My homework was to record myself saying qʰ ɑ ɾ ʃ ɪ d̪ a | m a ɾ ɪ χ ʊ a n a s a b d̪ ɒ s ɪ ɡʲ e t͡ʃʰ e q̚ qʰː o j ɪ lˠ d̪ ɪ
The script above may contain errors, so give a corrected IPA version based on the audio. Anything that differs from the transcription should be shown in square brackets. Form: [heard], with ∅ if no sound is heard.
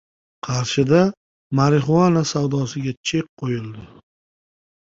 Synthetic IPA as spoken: qʰ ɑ ɾ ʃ ɪ d̪ a | m a ɾ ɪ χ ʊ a n a s a [w] d̪ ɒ s ɪ ɡʲ [a] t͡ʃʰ e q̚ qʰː o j ɪ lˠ d̪ ɪ

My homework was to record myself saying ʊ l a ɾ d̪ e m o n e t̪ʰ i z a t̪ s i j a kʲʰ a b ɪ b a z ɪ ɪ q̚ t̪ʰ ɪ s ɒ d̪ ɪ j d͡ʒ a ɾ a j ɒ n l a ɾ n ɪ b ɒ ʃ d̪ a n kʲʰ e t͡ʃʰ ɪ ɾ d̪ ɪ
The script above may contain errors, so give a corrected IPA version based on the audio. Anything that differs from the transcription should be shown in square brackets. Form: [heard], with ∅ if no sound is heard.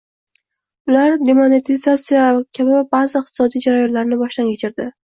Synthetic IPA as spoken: ʊ l a ɾ d̪ e m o n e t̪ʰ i z a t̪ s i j a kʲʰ a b ɪ b a z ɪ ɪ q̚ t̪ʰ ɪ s ɒ d̪ [i] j d͡ʒ a ɾ a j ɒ n l a ɾ n ɪ b ɒ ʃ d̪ a n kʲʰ e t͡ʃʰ ɪ ɾ d̪ ɪ

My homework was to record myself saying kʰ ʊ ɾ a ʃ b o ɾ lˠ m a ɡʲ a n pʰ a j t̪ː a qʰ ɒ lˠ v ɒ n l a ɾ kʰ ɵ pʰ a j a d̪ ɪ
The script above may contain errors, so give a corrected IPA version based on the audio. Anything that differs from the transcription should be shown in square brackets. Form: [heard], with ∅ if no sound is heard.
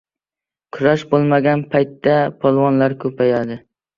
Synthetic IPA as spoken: kʰ ʊ ɾ a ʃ b o [∅] lˠ m a ɡʲ a n pʰ a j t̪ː a [pʰ] ɒ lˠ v ɒ n l a ɾ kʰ ɵ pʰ a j a d̪ ɪ

